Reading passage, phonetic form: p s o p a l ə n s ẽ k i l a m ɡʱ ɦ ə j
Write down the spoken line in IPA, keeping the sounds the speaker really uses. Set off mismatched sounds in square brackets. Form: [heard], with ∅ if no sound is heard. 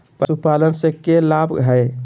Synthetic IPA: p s [u] p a l ə n s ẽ k [e] l a [b] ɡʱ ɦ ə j